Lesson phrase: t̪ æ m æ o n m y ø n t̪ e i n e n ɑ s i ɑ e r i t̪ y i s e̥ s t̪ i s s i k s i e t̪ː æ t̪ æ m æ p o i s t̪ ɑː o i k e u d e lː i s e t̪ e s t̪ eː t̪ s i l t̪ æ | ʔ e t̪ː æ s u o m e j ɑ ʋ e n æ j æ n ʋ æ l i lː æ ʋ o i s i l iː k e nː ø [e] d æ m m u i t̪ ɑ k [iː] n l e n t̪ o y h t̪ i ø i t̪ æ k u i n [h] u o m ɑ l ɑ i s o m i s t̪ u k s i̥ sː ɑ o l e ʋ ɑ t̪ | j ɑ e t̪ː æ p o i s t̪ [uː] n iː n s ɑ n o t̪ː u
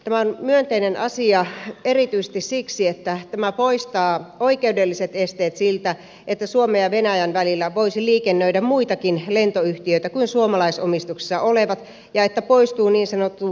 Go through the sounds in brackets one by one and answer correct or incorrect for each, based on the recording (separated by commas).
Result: incorrect, incorrect, incorrect, correct